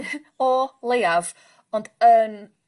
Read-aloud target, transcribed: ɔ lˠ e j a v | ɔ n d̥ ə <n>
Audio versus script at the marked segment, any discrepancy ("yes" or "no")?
no